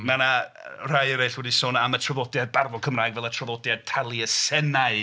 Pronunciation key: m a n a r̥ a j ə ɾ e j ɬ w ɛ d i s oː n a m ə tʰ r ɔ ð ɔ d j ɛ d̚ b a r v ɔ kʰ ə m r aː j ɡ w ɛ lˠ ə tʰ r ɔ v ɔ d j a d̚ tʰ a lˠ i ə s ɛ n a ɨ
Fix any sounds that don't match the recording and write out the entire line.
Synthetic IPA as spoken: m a n a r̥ a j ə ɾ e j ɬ w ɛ d i s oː n a m ə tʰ r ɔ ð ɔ d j a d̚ b a r v ɔ kʰ ə m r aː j ɡ v ɛ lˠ ə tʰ r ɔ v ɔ d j a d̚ tʰ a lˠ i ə s ɛ n a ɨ